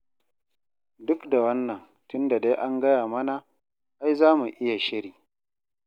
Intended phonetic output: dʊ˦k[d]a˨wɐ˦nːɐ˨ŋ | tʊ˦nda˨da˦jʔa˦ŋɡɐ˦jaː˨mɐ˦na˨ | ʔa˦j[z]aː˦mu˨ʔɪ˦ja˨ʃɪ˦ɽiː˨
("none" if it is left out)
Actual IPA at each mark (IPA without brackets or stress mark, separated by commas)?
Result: d, z